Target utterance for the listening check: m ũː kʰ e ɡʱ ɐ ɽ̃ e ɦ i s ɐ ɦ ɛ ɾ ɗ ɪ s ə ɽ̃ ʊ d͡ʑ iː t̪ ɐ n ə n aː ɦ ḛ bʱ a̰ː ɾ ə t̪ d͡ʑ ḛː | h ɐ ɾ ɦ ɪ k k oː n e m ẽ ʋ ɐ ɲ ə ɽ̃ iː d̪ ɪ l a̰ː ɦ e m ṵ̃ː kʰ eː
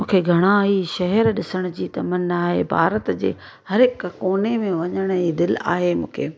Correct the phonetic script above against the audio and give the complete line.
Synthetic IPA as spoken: m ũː kʰ e ɡʱ ɐ ɽ̃ a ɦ i ʃ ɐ ɦ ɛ ɾ ɗ ɪ s ə ɽ̃ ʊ d͡ʑ iː t̪ ɐ m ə n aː ɦ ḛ bʱ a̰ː ɾ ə t̪ d͡ʑ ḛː | h ɐ ɾ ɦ ɪ k k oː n e m ẽ ʋ ɐ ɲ ə ɽ̃ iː d̪ ɪ l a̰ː ɦ e m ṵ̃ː kʰ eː